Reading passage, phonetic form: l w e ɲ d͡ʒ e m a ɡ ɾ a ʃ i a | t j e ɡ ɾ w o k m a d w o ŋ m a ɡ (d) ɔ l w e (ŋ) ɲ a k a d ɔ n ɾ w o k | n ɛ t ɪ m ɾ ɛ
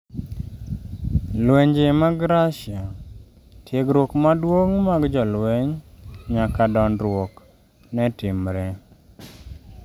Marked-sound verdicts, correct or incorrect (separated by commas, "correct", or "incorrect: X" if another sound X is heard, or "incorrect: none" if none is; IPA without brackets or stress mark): incorrect: d͡ʒ, incorrect: ɲ